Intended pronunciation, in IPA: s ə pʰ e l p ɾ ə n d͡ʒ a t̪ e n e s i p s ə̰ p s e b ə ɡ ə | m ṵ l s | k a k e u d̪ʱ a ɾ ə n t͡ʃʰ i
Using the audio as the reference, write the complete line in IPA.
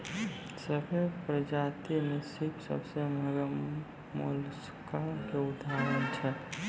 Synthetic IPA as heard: s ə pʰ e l p ɾ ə d͡ʒ a t̪ i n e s i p s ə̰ b s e m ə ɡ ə | m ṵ l s | k a k e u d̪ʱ a ɾ ə n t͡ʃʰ ɛ